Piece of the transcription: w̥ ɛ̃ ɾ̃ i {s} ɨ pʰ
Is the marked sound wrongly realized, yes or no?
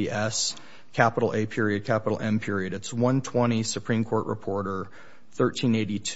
no